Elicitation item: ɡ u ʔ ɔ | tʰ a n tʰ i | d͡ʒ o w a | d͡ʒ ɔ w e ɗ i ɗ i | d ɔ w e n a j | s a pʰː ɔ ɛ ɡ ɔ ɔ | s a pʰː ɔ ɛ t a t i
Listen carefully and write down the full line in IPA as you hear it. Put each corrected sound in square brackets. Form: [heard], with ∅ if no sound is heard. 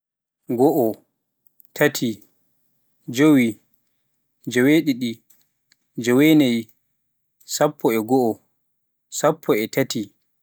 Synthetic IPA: ɡ [ɔ] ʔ ɔ | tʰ a [∅] tʰ i | d͡ʒ o w [i] | d͡ʒ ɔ w e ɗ i ɗ i | [d͡ʒ] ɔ w e n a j | s a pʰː ɔ ɛ ɡ ɔ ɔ | s a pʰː ɔ ɛ t a t i